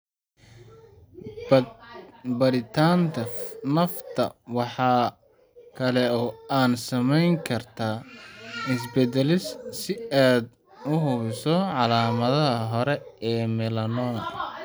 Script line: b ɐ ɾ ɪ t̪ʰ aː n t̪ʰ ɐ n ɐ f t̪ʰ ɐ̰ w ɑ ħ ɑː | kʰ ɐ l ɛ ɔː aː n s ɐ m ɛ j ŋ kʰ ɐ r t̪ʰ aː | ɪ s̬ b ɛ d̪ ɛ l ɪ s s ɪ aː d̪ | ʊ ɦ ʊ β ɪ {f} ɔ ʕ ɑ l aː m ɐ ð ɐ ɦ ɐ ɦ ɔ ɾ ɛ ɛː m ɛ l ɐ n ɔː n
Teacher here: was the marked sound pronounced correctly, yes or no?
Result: no